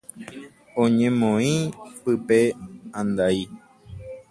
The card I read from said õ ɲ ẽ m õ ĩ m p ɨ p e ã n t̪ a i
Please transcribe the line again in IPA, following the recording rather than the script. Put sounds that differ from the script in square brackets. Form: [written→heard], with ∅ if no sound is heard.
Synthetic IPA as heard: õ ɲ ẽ m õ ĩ [m→∅] p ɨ p e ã n [t̪→d̪] a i